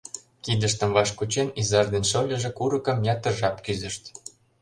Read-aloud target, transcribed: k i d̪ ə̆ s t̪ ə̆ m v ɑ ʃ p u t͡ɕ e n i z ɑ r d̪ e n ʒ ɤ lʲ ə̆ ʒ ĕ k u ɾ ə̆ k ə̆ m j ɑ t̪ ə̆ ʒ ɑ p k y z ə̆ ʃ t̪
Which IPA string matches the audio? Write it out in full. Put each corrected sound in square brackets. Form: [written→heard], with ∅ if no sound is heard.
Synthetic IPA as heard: k i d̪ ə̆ [s→ʃ] t̪ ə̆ m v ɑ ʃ [p→k] u t͡ɕ e n i z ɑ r d̪ e n [ʒ→ʃ] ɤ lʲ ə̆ ʒ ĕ k u ɾ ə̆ k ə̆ m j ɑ t̪ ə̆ ʒ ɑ p k y z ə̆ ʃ t̪

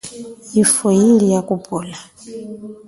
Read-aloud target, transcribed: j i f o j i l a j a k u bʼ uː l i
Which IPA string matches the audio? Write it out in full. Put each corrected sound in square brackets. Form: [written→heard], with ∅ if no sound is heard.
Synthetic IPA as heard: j i f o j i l [a→i] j a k u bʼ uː l [i→a]

